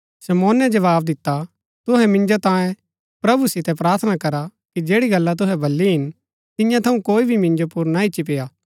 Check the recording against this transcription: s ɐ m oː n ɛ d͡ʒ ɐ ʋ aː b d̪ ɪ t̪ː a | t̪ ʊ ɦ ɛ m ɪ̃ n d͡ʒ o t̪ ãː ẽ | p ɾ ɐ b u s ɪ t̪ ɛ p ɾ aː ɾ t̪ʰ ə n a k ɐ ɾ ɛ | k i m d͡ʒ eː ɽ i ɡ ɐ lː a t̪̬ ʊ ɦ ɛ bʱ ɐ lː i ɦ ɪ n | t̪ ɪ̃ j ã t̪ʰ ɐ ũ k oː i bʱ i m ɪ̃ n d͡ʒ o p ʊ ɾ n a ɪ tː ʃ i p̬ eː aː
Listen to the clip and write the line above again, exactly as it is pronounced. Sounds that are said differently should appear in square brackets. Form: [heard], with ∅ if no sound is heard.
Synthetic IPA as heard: s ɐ m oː n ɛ d͡ʒ ɐ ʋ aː b d̪ ɪ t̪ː a | t̪ ʊ ɦ ɛ m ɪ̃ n d͡ʒ o t̪ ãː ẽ | p ɾ ɐ b u s ɪ t̪ ɛ p ɾ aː ɾ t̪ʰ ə n a k ɐ ɾ [a] | k i [∅] d͡ʒ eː ɽ i ɡ ɐ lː a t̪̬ ʊ ɦ ɛ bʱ ɐ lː i ɦ ɪ n | t̪ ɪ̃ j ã t̪ʰ ɐ ũ k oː i bʱ i m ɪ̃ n d͡ʒ o p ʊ ɾ n a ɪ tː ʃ i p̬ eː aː